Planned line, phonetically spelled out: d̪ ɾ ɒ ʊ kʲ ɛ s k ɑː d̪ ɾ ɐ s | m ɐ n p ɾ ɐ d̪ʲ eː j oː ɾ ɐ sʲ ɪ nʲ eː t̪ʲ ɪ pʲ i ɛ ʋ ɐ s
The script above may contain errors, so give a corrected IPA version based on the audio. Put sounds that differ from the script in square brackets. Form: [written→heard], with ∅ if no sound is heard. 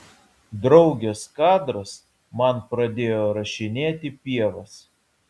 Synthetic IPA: d̪ ɾ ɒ ʊ [kʲ→ɡʲ] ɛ s k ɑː d̪ ɾ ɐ s | m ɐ n p ɾ ɐ d̪ʲ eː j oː ɾ ɐ [sʲ→ʃʲ] ɪ nʲ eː t̪ʲ ɪ pʲ i ɛ ʋ ɐ s